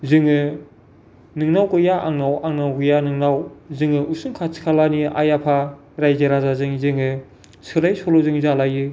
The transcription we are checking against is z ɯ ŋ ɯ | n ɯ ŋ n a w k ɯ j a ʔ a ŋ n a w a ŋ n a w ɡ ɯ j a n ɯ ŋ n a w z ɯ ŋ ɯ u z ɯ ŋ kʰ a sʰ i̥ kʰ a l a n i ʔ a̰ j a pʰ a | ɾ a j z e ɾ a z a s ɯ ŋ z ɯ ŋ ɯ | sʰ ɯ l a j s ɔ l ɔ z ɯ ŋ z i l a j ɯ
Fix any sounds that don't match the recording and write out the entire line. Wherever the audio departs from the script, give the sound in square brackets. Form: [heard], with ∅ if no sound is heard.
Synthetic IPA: z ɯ ŋ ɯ | n ɯ ŋ n a w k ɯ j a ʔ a ŋ n a w a ŋ n a w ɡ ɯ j a n ɯ ŋ n a w z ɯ ŋ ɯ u [s] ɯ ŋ kʰ a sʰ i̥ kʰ a l a n i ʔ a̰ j a pʰ a | ɾ a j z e ɾ a z a [z] ɯ ŋ z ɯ ŋ ɯ | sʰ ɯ l a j s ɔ l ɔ z ɯ ŋ z [a] l a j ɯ

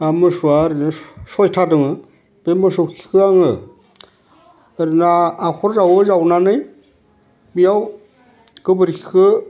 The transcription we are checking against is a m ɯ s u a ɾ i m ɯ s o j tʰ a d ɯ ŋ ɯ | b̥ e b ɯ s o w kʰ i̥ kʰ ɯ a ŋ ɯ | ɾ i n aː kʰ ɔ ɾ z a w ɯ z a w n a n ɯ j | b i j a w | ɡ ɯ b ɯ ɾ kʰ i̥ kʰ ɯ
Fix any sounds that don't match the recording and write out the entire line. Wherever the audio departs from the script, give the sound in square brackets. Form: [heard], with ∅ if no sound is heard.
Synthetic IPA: a m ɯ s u a ɾ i [n] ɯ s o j tʰ a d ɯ ŋ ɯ | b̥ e [m] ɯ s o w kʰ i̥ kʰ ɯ a ŋ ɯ | ɾ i n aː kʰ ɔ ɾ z a w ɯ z a w n a n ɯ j | b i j a w | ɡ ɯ b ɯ ɾ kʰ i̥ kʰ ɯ

